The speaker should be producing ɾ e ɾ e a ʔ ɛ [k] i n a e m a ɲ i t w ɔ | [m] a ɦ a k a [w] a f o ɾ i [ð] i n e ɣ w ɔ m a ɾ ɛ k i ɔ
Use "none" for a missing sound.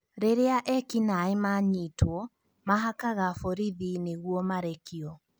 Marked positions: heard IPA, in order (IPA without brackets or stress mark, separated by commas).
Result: k, m, ɣ, ð